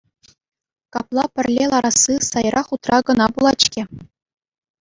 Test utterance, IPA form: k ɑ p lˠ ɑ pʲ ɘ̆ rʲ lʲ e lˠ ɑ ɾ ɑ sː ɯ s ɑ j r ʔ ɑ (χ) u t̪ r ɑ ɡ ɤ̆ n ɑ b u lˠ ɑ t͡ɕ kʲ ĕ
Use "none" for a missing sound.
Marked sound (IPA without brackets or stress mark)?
χ